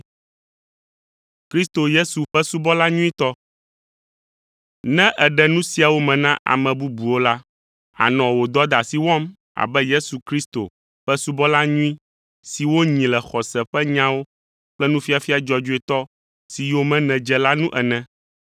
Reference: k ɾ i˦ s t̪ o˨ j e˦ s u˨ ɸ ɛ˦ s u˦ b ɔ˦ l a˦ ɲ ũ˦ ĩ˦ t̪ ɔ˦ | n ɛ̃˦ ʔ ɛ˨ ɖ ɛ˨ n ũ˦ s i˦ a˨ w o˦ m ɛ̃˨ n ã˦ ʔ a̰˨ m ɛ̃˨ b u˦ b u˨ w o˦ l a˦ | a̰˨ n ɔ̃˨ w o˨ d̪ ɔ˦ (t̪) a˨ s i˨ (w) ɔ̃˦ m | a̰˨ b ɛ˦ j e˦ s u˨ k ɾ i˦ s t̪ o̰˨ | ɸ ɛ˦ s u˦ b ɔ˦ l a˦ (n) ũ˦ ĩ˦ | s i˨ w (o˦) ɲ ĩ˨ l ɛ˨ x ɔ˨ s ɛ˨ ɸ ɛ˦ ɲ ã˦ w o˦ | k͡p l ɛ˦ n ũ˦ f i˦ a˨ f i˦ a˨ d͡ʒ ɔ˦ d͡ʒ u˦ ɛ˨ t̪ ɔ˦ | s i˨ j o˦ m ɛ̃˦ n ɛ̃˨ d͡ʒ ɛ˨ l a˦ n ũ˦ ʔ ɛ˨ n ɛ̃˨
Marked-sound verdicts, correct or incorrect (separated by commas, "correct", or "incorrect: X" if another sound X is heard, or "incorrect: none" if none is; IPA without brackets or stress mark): incorrect: d̪, correct, incorrect: ɲ, correct